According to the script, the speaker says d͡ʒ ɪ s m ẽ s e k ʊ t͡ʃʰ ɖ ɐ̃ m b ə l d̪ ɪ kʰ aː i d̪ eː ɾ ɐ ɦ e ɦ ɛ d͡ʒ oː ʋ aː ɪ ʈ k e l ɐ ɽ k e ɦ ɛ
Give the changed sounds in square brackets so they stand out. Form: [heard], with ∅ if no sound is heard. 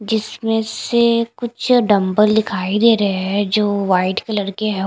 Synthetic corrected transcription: d͡ʒ ɪ s m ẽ s e k ʊ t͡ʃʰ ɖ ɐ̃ m b ə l d̪ ɪ kʰ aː i d̪ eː ɾ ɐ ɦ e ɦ ɛ d͡ʒ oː ʋ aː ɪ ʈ k e l ɐ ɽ k e ɦ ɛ